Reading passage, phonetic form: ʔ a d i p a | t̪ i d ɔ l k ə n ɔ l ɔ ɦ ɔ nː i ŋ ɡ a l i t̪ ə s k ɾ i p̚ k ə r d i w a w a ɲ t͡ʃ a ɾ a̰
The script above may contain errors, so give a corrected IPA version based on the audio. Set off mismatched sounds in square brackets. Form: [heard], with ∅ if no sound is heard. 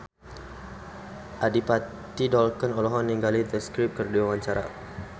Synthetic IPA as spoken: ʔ a d i p a | t̪ i d ɔ l k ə n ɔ l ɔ ɦ ɔ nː i ŋ ɡ a l i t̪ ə s k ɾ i p̚ k ə r d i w a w a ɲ t͡ʃ a ɾ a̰